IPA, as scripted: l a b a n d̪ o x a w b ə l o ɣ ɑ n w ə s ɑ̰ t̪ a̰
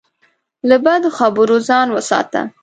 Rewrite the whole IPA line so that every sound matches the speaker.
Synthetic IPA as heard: l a b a d̪ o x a b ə ɾ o z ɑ n w ə s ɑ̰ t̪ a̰